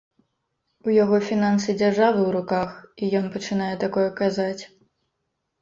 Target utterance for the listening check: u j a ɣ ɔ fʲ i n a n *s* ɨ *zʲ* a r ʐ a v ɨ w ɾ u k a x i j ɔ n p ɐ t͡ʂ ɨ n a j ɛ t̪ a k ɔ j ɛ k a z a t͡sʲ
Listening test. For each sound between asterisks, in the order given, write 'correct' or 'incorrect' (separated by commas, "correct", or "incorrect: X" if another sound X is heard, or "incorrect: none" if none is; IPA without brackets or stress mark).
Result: correct, incorrect: d͡zʲ